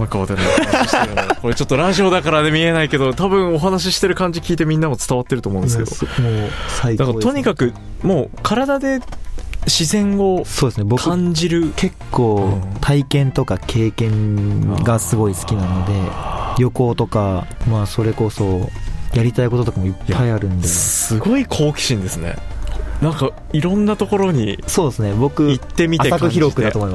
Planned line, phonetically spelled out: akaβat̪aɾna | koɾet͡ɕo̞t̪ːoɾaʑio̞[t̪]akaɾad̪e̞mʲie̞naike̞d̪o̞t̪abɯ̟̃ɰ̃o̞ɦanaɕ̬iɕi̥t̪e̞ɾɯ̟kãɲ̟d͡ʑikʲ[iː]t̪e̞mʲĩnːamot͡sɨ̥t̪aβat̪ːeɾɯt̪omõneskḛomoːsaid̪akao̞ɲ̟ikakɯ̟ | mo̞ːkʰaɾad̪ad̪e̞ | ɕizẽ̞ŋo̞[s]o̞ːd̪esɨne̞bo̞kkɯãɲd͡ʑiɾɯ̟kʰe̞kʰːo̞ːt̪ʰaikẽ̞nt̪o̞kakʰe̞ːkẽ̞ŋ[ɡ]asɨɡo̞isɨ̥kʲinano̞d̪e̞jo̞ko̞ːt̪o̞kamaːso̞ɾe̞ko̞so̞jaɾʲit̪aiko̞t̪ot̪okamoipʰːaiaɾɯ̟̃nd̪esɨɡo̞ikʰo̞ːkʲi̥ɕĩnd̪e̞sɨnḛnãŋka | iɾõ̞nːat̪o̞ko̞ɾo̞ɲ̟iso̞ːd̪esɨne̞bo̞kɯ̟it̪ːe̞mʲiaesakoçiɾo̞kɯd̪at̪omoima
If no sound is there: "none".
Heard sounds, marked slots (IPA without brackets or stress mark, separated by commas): d̪, iː, s, ɡ